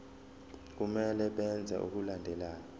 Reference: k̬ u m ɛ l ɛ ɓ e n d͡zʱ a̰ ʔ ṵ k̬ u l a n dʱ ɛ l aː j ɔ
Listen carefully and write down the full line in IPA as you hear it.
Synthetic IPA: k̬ u m ɛ l ɛ ɓ ɛ n d͡zʱ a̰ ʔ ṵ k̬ u l a n dʱ ɛ l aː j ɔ